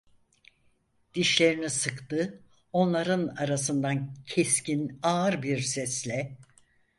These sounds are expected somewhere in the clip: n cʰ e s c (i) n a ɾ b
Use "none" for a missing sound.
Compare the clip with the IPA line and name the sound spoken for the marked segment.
i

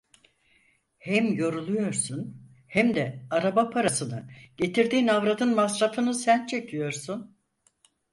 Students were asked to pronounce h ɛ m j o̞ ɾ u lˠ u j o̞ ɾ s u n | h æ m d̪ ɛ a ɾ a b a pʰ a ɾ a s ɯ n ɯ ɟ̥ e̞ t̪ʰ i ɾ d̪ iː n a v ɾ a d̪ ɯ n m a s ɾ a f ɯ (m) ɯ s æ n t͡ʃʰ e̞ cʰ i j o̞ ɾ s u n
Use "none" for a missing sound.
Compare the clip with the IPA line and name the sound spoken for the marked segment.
n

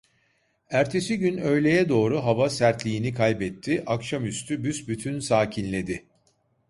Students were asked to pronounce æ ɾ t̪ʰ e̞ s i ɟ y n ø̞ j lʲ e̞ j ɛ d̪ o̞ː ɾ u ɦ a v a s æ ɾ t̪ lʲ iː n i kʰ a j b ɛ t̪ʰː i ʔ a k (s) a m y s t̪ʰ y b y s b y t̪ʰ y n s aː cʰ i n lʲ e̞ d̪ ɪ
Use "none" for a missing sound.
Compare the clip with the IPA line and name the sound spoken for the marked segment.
ʃ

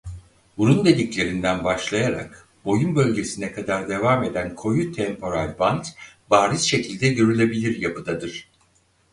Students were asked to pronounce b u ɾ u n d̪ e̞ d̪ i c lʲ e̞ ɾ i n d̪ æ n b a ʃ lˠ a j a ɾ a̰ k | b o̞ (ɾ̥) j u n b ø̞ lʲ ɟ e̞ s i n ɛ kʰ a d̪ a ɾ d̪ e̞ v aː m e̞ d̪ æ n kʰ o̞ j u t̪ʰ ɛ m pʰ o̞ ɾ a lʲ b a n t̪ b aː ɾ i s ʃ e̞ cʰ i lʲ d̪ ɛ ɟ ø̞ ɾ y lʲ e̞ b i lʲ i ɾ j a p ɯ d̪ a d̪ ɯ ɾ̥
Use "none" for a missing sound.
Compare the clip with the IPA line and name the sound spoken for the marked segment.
none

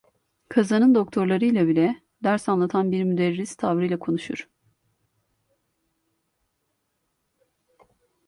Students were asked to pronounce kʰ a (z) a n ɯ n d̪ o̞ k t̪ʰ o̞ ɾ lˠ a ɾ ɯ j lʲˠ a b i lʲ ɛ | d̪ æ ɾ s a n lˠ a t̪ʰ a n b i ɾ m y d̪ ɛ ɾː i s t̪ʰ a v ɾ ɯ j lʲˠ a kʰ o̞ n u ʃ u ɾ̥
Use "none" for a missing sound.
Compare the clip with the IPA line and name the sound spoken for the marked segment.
z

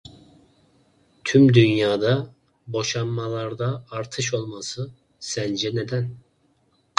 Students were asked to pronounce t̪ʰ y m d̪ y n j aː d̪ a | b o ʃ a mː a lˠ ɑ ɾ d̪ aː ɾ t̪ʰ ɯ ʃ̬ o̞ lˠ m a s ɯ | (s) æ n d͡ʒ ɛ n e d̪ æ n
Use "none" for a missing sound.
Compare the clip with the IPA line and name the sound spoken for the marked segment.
s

